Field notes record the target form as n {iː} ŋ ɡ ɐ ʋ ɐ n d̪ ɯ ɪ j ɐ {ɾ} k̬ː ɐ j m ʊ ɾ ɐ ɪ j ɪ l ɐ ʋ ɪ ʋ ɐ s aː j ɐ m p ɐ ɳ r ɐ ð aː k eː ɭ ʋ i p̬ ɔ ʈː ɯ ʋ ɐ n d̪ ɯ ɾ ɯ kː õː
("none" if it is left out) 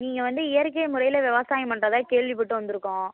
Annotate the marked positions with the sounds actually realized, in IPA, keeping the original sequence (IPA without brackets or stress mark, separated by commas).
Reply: iː, ɾ